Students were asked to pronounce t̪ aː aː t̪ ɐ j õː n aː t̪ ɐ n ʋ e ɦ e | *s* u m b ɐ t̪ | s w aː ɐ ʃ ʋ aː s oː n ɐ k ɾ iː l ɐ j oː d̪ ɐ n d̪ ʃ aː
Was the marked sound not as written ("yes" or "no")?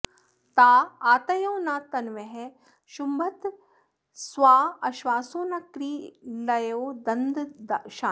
yes